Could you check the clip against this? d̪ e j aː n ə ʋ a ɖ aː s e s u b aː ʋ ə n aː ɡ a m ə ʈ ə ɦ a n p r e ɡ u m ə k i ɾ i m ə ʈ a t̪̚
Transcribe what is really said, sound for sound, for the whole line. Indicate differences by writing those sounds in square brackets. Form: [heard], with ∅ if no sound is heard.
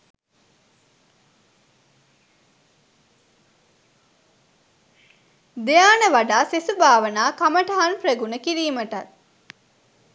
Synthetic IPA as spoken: d̪ e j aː n ə ʋ a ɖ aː s e s u b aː ʋ ə n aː [k] a m ə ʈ ə ɦ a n p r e ɡ u [n] ə k i ɾ [iː] m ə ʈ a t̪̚